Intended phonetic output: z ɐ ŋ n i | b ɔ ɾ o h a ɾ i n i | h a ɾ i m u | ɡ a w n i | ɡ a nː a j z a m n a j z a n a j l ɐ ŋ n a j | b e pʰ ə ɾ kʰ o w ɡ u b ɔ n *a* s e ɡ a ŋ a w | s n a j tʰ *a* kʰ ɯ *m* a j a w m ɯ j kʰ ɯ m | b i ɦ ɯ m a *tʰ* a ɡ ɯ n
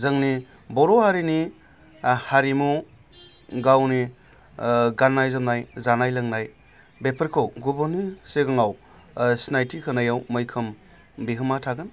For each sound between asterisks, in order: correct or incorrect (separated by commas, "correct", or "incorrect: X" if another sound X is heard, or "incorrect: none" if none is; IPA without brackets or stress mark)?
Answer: incorrect: i, incorrect: i, incorrect: n, correct